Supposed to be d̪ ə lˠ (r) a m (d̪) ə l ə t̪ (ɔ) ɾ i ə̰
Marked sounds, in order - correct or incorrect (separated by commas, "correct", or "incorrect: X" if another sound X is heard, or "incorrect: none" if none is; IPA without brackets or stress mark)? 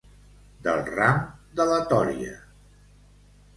correct, correct, correct